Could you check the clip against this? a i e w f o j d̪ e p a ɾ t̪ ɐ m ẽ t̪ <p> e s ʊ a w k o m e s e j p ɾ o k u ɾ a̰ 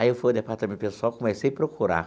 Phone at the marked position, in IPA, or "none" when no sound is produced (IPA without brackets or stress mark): p